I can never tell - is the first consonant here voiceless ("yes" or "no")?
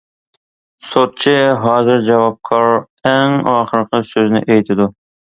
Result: yes